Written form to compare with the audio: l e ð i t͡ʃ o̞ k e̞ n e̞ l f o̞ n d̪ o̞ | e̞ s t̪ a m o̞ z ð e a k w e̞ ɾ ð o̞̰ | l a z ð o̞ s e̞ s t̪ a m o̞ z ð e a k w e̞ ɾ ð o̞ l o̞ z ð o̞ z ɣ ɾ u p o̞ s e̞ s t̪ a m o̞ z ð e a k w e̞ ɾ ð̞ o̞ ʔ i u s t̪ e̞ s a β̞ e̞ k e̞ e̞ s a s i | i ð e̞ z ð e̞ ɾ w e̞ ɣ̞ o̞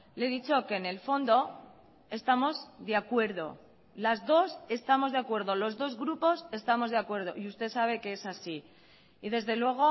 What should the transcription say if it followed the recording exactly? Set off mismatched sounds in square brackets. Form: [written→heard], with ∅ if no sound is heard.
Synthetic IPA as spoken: l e ð i t͡ʃ o̞ k e̞ n e̞ l f o̞ n d̪ o̞ | e̞ s t̪ a m o̞ z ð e a k w e̞ ɾ ð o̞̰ | l a z ð o̞ s e̞ s t̪ a m o̞ z ð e a k w e̞ ɾ ð o̞ l o̞ z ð o̞ z ɣ ɾ u p o̞ s e̞ s t̪ a m o̞ z ð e a k w e̞ ɾ ð̞ o̞ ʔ i u s t̪ e̞ s a β̞ e̞ k e̞ e̞ s a s i | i ð e̞ z ð e̞ [ɾ→l] w e̞ ɣ̞ o̞